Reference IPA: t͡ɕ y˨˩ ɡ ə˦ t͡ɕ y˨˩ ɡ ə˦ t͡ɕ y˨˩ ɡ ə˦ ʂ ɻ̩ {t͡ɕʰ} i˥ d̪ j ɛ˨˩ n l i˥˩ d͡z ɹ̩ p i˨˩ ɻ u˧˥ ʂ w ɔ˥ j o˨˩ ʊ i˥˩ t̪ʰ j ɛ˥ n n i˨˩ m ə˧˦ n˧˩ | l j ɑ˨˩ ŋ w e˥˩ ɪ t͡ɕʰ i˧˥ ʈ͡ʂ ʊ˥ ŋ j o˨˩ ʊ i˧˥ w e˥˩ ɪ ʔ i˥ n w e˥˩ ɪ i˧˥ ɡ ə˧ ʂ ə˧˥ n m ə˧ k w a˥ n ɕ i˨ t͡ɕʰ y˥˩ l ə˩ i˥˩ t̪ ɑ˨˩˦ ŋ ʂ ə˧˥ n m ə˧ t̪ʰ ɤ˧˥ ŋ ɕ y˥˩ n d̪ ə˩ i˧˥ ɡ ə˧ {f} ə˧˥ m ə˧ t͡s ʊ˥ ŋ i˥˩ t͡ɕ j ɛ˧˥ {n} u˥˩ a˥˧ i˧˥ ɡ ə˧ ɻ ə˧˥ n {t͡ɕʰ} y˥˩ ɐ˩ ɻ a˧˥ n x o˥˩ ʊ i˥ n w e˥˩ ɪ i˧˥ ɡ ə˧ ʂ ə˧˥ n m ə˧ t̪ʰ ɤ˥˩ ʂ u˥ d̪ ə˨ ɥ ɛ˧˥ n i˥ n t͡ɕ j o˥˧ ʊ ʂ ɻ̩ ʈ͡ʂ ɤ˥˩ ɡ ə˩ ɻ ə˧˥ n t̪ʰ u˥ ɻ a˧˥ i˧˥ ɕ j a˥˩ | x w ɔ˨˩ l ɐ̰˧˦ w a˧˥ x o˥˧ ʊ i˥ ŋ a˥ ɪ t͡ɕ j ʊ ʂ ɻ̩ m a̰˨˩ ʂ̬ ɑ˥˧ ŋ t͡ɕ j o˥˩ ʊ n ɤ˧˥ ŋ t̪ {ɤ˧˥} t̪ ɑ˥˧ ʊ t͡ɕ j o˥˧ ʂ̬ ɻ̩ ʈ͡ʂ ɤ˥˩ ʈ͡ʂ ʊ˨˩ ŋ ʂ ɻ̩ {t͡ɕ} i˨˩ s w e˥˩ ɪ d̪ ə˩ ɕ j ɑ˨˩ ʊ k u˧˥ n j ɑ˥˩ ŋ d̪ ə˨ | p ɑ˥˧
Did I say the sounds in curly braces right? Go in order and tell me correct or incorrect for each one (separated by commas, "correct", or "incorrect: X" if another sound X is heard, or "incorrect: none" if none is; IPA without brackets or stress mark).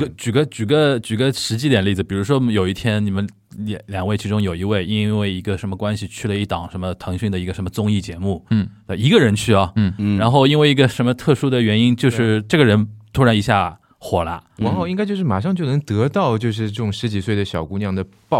incorrect: t͡ɕ, incorrect: ʂ, incorrect: m, correct, correct, correct